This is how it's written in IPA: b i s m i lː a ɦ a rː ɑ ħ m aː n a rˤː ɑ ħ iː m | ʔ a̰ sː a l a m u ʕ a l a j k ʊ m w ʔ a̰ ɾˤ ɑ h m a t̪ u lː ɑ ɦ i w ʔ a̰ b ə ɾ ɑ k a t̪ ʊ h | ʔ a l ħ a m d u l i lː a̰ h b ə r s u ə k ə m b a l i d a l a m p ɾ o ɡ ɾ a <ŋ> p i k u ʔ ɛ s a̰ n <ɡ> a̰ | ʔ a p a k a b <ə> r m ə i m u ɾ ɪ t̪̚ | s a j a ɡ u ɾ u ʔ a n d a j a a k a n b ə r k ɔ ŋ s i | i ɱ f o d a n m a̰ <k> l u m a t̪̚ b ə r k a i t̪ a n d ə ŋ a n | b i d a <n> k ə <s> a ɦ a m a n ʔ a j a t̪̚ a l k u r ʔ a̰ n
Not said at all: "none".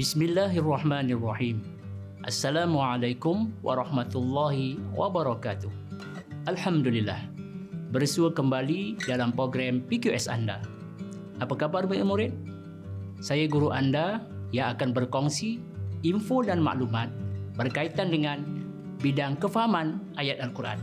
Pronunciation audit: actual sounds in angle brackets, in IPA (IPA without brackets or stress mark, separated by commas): m, d, a, ʔ, ŋ, f